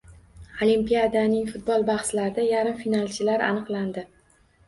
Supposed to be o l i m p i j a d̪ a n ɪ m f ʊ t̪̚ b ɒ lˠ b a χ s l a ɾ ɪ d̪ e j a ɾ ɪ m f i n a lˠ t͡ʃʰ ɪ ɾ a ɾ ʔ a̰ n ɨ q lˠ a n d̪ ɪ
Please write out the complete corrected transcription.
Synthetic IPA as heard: o l i m p i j a d̪ a n ɪ ŋ f ʊ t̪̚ b ɒ lˠ b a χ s l a ɾ ɪ d̪ a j a ɾ ɪ m f i n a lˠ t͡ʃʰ ɪ l a ɾ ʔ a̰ n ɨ q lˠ a n d̪ ɪ